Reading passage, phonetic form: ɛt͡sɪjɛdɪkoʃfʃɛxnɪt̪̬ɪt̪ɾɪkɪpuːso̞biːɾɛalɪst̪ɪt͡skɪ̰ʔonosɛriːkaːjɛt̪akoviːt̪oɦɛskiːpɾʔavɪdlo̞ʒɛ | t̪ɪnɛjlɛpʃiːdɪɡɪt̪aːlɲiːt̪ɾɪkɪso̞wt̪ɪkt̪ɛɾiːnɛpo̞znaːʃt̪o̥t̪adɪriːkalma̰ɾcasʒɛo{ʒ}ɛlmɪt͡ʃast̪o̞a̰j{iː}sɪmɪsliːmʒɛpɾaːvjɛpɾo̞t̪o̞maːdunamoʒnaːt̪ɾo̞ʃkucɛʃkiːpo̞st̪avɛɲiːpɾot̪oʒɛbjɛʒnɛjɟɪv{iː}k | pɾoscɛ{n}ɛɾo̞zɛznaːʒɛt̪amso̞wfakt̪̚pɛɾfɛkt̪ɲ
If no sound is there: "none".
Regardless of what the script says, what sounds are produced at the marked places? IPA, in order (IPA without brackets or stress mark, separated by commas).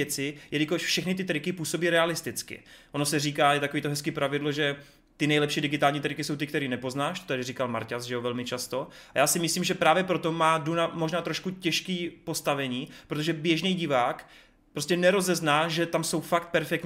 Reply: v, aː, aː, n